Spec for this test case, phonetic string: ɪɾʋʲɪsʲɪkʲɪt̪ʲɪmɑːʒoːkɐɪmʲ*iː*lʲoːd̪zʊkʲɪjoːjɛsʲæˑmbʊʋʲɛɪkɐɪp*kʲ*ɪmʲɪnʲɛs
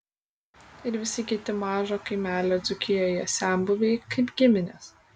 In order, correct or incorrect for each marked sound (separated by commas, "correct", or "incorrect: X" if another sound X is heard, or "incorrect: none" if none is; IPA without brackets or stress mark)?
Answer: incorrect: æː, incorrect: ɡʲ